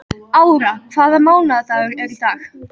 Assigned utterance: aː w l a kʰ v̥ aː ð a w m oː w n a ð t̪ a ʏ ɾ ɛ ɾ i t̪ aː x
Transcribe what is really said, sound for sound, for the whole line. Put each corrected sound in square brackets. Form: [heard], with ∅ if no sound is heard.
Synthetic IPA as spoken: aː w [ɾ] a kʰ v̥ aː ð a [∅] m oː w n a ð t̪ a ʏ ɾ ɛ ɾ i t̪ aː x